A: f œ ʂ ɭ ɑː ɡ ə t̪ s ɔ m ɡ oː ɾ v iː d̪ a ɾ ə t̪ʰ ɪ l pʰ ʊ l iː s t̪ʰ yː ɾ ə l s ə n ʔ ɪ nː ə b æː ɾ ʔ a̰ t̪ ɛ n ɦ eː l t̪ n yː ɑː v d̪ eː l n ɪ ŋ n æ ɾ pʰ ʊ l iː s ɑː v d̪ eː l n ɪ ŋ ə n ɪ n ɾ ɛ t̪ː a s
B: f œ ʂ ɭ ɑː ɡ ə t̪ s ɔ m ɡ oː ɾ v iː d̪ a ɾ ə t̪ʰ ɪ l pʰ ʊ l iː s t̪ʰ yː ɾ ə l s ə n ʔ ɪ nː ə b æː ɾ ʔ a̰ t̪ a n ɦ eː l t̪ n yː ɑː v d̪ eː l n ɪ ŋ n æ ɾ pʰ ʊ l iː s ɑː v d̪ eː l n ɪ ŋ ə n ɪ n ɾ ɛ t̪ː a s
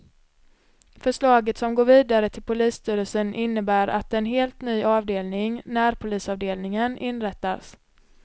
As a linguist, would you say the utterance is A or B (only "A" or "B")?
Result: A